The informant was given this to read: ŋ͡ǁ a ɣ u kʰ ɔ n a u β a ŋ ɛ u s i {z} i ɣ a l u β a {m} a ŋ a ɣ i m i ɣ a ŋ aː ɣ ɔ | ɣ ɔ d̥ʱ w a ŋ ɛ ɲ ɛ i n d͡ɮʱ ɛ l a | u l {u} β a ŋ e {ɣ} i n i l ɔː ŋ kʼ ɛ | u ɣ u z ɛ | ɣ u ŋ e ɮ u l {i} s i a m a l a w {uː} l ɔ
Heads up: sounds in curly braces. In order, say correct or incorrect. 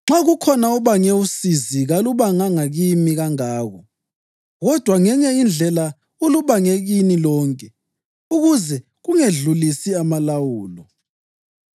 correct, incorrect: ŋ, correct, correct, correct, correct

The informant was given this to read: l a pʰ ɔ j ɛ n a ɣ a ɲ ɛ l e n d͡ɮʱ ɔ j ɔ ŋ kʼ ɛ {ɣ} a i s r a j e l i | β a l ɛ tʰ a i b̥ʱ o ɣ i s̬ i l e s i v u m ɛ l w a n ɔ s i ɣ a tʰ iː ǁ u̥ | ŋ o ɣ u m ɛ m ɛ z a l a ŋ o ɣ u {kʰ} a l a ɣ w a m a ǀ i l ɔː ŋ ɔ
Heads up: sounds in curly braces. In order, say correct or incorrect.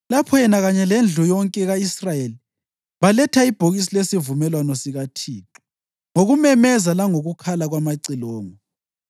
correct, correct

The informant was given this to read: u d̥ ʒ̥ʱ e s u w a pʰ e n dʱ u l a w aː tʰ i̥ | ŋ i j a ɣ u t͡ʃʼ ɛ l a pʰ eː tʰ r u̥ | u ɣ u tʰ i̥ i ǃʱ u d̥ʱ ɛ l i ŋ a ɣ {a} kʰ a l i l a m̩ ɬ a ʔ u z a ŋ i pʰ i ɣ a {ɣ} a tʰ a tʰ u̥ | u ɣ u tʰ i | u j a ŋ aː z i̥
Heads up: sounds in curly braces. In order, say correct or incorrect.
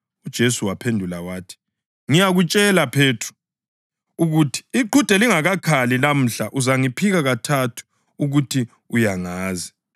correct, correct

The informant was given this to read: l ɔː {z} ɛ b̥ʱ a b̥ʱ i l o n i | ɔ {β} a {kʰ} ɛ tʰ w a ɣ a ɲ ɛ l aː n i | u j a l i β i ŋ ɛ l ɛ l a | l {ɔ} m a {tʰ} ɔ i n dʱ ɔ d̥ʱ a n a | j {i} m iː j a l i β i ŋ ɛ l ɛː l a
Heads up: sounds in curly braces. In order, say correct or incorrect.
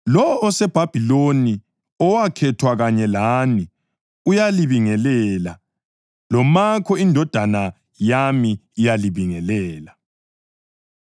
incorrect: s, incorrect: w, correct, correct, incorrect: kʰ, incorrect: a

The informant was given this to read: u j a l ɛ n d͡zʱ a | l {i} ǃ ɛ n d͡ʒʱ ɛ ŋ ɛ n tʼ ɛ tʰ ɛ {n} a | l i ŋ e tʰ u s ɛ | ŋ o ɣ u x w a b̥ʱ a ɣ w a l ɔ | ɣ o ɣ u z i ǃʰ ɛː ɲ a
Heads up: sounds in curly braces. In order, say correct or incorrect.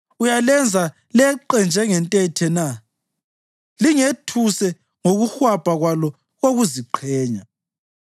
incorrect: ɛ, correct

